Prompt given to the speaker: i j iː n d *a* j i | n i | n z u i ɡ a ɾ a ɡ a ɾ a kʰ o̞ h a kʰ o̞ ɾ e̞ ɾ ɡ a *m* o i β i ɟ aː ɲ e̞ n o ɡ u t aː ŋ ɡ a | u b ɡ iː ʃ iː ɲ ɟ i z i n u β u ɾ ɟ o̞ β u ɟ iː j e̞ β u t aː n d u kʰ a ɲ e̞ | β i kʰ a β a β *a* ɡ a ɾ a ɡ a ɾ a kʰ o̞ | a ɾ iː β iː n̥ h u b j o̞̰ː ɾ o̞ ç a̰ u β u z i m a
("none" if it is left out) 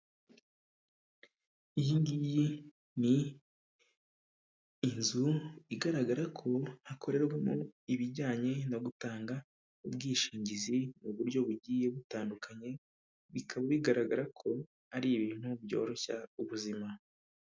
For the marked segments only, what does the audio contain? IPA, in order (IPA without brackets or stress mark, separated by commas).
i, m, i